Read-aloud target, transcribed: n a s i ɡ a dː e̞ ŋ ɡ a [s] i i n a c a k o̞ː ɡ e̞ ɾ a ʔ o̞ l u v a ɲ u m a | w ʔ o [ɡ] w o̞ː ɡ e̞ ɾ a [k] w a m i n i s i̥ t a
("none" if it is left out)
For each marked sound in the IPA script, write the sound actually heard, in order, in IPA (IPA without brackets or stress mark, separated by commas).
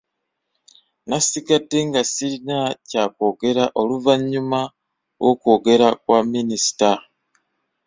s, k, k